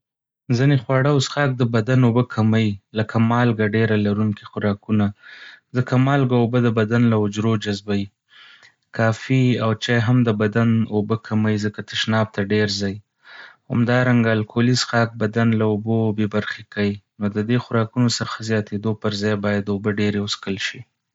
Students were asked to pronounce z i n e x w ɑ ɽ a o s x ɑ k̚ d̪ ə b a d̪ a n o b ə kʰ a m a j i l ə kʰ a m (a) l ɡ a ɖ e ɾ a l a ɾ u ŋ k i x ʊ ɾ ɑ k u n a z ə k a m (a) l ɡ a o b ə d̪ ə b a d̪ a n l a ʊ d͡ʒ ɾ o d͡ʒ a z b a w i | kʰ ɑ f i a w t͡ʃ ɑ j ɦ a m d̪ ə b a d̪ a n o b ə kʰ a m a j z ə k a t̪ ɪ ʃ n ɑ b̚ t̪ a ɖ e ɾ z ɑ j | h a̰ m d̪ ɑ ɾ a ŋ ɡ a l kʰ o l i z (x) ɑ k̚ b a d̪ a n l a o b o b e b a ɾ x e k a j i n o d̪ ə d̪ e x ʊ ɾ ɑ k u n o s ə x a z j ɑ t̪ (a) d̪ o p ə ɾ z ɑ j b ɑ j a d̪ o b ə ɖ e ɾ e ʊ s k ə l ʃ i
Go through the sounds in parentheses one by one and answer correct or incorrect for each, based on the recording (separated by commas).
incorrect, incorrect, correct, incorrect